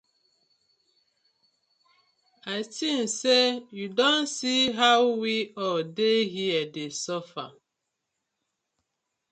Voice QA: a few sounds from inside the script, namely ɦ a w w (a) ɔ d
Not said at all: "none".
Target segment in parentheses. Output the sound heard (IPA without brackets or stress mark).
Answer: i